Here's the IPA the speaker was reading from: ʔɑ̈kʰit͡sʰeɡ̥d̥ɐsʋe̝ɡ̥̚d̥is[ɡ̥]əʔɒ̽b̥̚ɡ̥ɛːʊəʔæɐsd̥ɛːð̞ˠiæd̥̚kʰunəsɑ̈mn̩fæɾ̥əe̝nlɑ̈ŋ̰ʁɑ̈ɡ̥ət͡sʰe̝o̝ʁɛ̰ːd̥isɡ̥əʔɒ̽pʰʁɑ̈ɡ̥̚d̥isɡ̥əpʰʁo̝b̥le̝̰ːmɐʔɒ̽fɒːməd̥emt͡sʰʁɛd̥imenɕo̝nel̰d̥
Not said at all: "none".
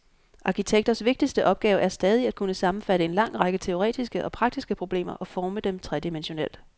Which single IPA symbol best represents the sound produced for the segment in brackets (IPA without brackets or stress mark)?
d̥